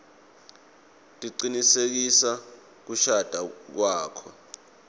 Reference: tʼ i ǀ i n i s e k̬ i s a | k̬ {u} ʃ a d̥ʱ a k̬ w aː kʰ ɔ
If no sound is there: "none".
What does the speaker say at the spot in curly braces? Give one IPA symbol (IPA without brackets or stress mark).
u